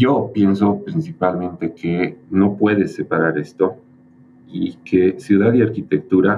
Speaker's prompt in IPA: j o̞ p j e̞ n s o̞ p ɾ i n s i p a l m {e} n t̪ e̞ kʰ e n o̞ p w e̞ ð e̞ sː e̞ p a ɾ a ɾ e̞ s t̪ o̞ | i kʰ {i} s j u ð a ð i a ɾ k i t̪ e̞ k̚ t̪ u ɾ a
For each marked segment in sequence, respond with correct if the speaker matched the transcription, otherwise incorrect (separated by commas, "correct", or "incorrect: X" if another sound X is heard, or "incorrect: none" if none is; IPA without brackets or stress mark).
incorrect: ẽ, incorrect: e